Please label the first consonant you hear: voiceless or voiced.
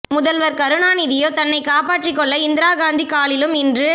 voiced